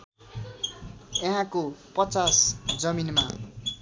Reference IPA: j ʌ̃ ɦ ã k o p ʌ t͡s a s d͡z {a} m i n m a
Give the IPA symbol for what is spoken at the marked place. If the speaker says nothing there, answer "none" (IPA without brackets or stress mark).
ʌ